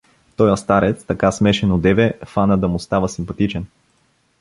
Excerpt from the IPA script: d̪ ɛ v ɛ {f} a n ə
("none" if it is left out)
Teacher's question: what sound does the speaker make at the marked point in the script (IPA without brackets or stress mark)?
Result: f